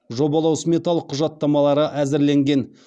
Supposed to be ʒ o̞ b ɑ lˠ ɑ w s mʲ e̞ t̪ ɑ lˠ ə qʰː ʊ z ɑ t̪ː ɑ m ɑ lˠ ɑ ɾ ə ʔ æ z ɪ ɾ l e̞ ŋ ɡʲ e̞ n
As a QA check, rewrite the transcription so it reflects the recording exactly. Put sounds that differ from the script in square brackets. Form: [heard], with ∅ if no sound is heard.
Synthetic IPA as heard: ʒ o̞ b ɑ lˠ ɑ w s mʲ e̞ t̪ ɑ lˠ ə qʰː ʊ [ʒ] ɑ t̪ː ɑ m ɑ lˠ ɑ ɾ ə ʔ æ z ɪ ɾ l e̞ ŋ ɡʲ e̞ n